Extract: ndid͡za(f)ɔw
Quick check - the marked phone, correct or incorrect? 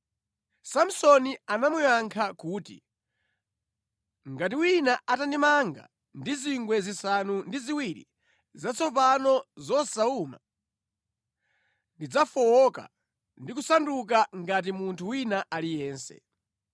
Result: correct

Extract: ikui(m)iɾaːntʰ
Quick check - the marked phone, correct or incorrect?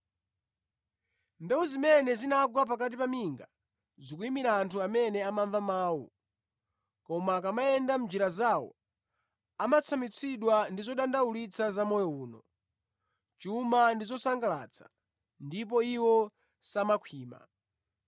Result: correct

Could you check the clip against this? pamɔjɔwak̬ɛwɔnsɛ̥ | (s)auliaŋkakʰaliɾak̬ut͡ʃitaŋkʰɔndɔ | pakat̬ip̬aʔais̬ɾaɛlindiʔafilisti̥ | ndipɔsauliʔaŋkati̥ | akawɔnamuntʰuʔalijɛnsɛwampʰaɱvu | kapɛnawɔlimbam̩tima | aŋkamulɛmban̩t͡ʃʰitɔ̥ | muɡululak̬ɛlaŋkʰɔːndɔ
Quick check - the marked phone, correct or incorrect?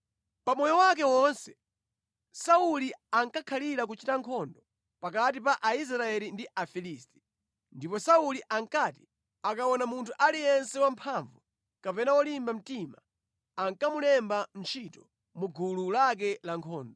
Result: correct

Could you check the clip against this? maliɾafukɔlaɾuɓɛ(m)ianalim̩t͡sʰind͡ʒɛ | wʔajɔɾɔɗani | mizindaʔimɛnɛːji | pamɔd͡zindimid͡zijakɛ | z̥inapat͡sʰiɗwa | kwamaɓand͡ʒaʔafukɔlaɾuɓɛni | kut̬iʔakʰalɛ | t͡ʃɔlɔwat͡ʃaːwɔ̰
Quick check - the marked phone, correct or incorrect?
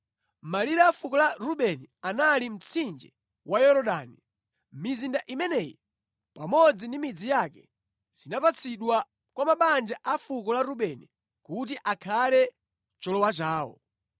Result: incorrect: n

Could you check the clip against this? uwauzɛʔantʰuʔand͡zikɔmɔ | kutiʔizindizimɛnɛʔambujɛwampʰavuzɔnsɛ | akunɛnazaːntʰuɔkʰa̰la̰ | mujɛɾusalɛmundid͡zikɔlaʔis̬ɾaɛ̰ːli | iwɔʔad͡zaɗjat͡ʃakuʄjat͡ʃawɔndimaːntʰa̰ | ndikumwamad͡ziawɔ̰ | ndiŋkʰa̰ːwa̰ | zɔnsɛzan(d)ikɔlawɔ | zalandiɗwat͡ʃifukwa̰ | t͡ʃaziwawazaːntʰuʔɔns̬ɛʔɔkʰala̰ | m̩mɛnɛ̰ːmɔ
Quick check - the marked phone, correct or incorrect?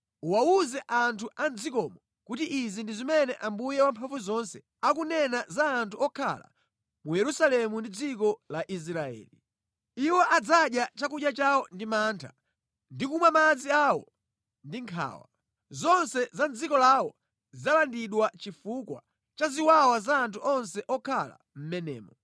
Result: incorrect: d͡z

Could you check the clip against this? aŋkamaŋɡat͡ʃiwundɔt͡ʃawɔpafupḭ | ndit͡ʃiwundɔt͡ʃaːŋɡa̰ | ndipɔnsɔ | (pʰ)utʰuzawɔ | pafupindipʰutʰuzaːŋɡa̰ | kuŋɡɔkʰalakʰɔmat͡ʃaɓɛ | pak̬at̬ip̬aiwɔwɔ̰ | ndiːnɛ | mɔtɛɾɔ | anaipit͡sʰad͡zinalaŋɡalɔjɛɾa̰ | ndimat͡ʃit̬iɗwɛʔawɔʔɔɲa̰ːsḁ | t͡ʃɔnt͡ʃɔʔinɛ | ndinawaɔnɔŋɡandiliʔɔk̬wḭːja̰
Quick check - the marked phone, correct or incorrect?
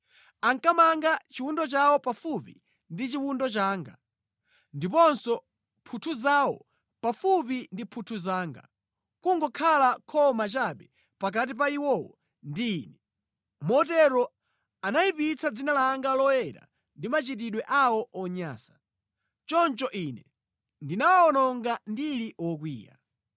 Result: correct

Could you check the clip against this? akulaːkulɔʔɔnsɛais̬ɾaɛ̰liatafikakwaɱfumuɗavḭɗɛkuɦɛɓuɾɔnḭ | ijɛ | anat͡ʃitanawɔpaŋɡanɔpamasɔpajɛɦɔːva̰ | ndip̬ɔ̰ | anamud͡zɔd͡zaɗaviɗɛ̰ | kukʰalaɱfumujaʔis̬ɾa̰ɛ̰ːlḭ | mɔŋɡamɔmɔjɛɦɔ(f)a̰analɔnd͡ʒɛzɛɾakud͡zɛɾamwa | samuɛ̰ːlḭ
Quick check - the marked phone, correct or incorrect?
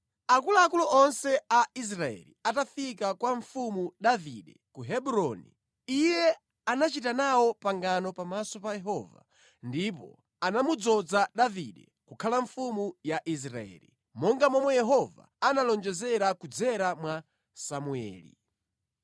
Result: incorrect: v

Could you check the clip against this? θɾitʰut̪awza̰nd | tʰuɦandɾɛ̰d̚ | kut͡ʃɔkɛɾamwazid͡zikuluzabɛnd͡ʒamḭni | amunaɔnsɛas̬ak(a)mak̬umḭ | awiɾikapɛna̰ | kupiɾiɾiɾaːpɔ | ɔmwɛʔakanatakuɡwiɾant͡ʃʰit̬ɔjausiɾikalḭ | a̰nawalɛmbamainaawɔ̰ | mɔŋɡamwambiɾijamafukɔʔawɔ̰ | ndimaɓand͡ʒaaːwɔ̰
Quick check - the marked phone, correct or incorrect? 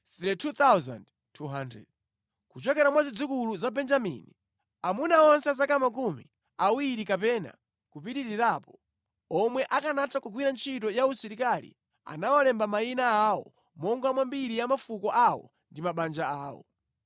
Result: correct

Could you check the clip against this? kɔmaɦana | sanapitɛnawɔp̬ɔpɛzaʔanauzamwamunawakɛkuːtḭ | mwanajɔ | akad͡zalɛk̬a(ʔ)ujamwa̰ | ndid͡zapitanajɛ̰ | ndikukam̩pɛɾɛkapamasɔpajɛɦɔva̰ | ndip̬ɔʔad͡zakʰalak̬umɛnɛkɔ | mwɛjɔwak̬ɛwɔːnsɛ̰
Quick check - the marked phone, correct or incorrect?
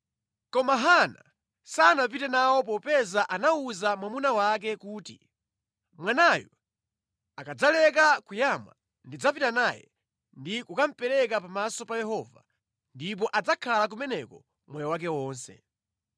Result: incorrect: k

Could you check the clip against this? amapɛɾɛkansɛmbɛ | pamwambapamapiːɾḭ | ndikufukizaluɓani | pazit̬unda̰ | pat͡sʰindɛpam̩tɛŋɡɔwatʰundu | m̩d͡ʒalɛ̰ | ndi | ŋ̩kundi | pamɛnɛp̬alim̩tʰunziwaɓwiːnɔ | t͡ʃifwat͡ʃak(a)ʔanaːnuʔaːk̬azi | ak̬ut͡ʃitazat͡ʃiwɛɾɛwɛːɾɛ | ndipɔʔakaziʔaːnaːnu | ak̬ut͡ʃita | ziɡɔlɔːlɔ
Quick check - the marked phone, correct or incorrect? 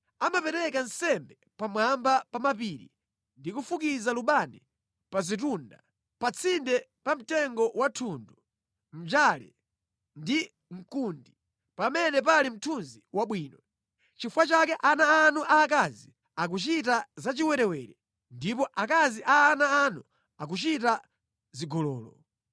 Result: incorrect: ɛ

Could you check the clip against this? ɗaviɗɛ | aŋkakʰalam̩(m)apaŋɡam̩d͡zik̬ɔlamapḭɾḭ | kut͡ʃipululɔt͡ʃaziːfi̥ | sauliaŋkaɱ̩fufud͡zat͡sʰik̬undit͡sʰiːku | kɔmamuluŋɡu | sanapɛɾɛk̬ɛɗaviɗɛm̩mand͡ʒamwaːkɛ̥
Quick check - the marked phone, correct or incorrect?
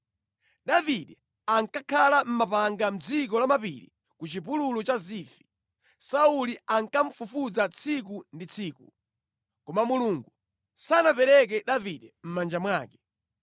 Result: correct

